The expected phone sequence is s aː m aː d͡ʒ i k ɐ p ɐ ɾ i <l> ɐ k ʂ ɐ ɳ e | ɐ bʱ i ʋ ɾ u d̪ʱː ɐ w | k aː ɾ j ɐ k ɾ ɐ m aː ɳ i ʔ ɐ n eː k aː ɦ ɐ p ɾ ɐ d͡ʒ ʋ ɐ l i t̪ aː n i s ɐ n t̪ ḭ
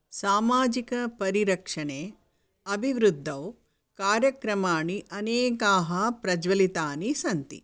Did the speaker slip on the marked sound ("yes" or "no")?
yes